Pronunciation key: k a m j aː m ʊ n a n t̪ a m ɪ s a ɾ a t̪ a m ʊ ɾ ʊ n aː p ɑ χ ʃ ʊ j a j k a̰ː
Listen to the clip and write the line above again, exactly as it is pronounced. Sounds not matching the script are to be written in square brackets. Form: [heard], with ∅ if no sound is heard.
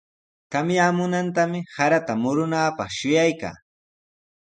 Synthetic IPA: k a m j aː m ʊ n a n t̪ a m ɪ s a ɾ a t̪ a m ʊ ɾ ʊ n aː p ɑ χ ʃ ʊ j a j k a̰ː

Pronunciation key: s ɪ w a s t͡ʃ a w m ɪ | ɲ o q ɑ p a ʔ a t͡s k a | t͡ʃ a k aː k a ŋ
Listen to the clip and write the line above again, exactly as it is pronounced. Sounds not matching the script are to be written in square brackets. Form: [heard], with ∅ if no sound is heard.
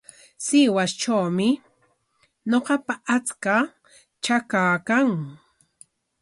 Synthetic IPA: s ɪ w a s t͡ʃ a w m ɪ | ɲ o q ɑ p a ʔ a t͡s k a | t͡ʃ a k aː k a ŋ

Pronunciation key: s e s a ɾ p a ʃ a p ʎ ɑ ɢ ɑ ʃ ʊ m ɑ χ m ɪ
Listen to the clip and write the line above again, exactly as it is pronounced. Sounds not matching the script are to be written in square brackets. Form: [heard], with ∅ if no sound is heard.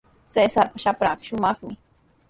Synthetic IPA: s e s a ɾ p a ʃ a p [ɾ] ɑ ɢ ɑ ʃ ʊ m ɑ χ m ɪ

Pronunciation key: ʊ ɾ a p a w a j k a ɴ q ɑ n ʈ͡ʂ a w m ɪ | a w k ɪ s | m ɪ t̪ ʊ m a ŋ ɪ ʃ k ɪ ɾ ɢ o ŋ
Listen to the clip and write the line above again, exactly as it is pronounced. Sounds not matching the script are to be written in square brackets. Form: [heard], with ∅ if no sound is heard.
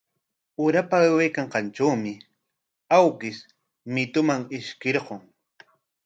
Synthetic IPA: ʊ ɾ a p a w a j k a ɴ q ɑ n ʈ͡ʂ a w m ɪ | a w k ɪ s | m ɪ t̪ ʊ m a ŋ ɪ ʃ k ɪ ɾ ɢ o ŋ

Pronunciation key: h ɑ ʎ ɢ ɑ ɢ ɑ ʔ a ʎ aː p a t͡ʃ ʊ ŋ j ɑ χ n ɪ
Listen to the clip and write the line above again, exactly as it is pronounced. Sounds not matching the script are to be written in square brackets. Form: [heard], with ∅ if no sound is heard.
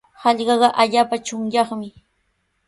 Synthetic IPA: h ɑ ʎ ɢ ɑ ɢ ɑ ʔ a ʎ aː p a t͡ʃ ʊ ŋ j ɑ χ [m] ɪ

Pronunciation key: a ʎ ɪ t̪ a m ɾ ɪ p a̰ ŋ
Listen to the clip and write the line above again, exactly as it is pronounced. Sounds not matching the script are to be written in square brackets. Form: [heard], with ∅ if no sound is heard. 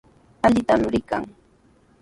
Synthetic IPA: a ʎ ɪ t̪ a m ɾ ɪ [k] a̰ ŋ

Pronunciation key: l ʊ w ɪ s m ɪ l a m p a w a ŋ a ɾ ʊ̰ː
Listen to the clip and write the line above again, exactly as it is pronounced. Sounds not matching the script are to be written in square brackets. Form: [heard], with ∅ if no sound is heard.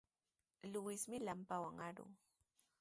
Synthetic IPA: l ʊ w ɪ s m ɪ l a m p a w a ŋ a ɾ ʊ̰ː

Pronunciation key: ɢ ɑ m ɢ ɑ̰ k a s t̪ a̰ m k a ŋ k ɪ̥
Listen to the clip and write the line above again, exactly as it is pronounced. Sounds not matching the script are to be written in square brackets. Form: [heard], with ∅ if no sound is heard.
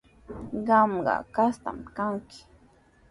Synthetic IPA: ɢ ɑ m ɢ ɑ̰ k a s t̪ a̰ m k a ŋ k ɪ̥

